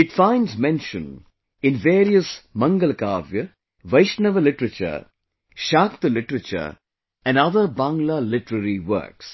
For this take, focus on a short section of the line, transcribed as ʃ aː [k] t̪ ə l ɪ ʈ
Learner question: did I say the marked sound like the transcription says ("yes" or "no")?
yes